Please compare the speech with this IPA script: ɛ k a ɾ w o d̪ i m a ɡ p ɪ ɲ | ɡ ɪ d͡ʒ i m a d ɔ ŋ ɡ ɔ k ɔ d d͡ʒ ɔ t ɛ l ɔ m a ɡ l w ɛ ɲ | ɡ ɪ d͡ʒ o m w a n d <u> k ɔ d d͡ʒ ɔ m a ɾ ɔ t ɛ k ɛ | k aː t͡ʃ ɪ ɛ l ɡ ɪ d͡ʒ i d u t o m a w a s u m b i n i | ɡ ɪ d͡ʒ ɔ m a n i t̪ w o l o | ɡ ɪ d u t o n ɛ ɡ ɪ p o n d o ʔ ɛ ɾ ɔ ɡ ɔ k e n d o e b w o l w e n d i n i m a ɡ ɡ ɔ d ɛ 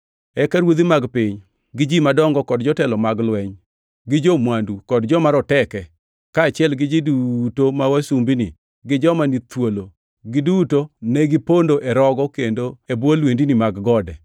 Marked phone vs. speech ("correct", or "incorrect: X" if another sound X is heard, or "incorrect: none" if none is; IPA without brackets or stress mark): correct